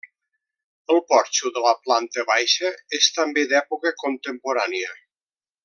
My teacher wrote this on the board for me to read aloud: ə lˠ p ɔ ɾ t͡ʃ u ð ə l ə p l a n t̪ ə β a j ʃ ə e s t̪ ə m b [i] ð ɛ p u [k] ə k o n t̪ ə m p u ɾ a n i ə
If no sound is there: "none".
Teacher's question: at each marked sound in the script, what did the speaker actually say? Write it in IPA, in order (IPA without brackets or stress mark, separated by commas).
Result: e, k